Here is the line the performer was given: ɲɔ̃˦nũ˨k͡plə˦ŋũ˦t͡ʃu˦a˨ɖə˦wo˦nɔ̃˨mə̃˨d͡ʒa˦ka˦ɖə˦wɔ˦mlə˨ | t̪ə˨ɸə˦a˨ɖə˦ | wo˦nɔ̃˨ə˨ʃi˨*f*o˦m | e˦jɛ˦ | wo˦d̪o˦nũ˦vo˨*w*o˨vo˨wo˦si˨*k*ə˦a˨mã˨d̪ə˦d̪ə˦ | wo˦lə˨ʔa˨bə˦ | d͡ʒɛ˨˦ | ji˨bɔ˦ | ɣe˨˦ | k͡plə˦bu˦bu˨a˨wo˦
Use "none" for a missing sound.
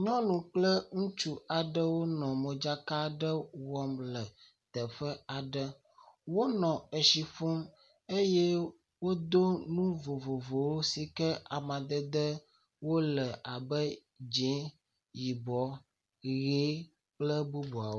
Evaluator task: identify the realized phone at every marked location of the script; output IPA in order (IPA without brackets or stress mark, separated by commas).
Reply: f, v, k